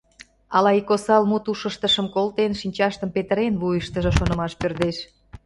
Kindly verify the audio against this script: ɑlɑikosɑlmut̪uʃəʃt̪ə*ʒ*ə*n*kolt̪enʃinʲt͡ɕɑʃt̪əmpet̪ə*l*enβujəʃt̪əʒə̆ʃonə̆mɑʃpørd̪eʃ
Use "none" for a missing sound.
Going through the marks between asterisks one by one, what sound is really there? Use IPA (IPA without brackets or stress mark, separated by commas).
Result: ʃ, m, ɾ